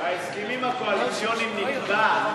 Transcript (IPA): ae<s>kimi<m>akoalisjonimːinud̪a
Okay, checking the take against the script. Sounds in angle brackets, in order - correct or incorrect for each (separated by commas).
correct, correct